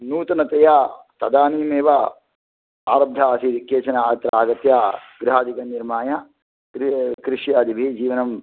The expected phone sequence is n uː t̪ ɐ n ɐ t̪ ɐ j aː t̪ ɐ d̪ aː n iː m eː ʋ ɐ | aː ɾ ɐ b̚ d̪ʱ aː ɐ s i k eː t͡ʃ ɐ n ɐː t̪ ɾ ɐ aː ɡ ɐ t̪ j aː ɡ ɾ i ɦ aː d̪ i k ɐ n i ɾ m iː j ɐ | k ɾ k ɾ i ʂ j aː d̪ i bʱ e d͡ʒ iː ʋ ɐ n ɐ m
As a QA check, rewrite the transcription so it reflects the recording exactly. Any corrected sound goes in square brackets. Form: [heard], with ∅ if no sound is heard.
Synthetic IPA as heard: n uː t̪ ɐ n ɐ t̪ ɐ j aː t̪ ɐ d̪ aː n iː m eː ʋ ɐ | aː ɾ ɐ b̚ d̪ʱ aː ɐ s i k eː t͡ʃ ɐ n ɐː t̪ ɾ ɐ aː ɡ ɐ t̪ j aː ɡ ɾ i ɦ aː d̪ i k ɐ n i ɾ m [aː] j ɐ | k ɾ k ɾ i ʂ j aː d̪ i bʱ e d͡ʒ iː ʋ ɐ n ɐ m